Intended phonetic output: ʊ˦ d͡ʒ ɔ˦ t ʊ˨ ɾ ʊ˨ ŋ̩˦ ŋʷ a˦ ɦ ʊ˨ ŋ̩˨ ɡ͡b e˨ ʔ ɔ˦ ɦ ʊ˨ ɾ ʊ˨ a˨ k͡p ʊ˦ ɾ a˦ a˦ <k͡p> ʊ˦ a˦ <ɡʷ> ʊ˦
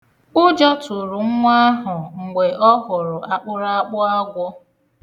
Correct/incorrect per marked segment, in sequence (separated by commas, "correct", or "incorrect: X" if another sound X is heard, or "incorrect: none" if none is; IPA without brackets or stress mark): correct, correct